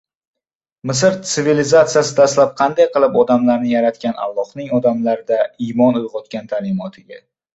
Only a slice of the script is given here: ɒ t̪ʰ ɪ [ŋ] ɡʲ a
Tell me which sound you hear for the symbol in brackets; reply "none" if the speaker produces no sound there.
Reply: none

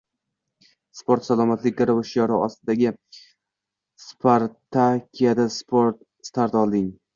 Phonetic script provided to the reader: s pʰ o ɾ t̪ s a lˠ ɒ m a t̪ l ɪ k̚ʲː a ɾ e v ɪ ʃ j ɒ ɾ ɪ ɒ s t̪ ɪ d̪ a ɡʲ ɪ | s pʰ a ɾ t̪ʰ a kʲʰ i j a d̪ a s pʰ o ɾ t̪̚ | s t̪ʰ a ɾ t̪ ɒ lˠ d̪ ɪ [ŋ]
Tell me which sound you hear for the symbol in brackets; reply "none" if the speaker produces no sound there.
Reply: ŋ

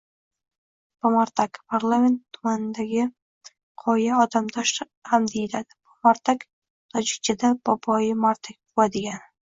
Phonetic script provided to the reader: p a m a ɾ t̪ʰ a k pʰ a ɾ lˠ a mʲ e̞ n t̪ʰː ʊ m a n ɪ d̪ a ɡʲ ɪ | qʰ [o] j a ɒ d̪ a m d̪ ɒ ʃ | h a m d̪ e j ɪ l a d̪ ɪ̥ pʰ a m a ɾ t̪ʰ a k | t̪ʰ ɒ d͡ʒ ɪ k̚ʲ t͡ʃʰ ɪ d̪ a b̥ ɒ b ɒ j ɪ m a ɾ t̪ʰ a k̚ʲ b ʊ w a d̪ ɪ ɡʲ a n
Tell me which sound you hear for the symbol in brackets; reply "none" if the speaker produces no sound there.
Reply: ɒ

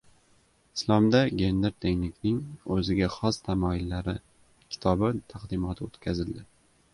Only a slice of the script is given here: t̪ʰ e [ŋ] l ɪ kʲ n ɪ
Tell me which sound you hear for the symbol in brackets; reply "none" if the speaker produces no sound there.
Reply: ŋ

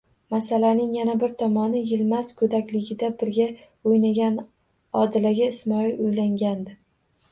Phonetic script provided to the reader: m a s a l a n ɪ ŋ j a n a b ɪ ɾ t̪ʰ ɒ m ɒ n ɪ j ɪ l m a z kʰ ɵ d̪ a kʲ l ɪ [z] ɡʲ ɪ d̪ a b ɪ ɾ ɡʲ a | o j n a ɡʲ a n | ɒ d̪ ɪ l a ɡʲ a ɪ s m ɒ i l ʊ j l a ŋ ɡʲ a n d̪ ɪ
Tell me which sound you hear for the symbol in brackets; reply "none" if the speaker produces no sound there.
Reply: none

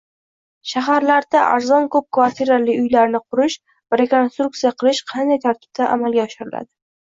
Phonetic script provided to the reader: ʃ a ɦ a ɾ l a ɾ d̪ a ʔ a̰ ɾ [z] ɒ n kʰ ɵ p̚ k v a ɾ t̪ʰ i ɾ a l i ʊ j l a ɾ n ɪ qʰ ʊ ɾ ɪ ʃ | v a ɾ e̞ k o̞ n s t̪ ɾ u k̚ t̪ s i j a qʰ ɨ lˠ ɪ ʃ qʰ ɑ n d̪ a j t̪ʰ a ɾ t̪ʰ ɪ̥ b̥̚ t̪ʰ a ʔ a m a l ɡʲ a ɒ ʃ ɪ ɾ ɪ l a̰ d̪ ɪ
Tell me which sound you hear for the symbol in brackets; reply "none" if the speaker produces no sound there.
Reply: z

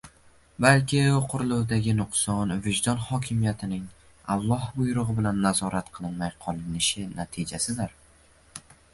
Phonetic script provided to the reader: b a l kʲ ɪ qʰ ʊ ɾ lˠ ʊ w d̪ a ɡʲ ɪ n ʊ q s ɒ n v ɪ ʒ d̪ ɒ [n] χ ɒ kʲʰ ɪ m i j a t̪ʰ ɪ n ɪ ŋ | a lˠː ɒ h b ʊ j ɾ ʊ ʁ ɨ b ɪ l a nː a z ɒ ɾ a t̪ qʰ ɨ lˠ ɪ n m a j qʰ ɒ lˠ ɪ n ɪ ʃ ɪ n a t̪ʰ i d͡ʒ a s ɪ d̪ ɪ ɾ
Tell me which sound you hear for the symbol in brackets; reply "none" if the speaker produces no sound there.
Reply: n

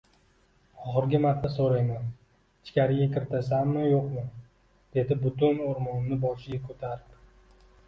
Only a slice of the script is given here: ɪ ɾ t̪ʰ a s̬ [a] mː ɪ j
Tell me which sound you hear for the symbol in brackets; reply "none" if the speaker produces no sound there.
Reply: a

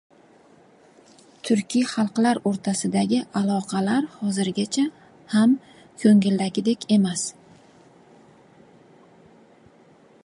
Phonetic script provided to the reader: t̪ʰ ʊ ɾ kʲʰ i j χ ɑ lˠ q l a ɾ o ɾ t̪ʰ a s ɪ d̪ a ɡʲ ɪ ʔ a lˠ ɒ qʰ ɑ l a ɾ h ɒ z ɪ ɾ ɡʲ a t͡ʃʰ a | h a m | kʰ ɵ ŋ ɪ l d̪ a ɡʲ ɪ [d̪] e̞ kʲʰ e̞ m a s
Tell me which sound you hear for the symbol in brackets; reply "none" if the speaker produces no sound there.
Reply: d̪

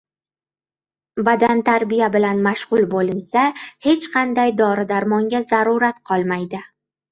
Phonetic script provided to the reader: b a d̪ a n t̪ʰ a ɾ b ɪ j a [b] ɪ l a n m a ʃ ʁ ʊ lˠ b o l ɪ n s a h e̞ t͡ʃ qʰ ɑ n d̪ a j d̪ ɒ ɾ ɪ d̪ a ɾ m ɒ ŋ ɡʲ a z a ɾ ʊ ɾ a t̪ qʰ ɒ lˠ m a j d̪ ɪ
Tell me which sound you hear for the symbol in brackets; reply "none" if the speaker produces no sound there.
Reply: b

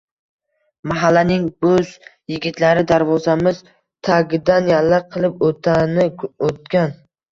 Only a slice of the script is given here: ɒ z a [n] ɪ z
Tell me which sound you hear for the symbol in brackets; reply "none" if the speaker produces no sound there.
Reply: m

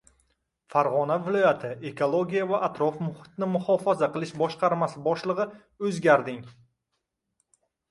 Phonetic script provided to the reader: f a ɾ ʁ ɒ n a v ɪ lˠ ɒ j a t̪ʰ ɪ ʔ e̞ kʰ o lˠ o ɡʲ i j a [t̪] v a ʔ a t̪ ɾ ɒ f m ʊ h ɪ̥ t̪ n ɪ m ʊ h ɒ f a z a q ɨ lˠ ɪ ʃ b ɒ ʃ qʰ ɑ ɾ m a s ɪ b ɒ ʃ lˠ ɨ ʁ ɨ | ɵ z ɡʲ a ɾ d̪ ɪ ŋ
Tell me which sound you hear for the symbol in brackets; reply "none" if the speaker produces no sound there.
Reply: none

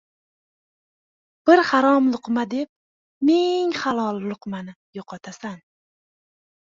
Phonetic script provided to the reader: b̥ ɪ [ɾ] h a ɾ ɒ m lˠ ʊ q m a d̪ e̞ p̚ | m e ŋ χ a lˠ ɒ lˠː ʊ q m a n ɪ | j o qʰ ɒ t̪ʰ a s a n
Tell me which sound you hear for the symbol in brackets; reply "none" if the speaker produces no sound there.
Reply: ɾ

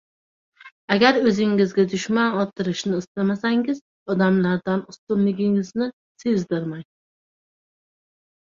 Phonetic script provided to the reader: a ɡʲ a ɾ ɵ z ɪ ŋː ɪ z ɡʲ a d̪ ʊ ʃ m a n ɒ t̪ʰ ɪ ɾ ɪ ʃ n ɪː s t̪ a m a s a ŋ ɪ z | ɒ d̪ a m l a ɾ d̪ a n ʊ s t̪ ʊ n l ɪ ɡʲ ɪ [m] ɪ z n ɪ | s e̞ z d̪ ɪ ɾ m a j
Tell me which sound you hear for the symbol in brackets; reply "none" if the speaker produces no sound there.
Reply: ŋ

